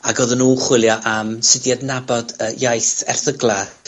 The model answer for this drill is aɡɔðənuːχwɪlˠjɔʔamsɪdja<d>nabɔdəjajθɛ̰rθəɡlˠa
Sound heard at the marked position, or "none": d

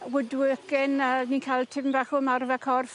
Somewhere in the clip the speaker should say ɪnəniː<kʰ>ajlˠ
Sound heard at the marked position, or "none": kʰ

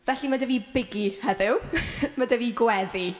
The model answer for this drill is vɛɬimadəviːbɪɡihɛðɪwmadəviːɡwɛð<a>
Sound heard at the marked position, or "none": i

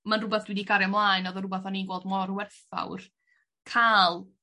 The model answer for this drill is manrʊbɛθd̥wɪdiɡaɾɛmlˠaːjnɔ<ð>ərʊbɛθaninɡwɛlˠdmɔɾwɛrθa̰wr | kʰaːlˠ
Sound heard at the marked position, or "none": ð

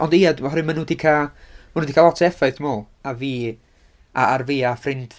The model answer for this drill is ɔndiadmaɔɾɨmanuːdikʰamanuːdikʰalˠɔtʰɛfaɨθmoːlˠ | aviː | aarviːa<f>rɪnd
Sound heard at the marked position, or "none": f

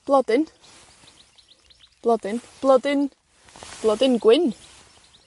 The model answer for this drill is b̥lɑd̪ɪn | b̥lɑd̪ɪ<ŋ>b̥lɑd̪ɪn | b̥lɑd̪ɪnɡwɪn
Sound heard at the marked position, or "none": n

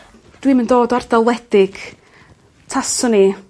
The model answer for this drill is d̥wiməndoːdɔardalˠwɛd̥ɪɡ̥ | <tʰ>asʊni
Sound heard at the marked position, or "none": tʰ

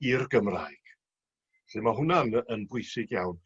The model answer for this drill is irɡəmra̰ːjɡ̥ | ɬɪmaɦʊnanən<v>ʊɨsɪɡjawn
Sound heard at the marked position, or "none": b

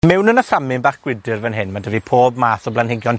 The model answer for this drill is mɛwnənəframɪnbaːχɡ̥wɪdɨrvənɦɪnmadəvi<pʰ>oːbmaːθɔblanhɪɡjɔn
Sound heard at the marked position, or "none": pʰ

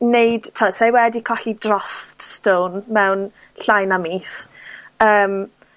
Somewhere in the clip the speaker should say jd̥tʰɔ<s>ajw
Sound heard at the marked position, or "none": s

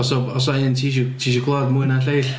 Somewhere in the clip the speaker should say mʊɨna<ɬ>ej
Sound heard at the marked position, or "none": ɬ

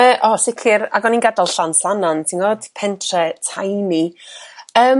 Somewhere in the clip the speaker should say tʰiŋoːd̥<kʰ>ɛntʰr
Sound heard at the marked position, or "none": pʰ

